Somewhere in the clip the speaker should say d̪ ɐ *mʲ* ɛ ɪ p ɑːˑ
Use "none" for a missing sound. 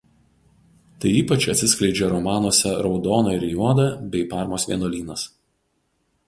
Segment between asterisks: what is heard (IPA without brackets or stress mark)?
bʲ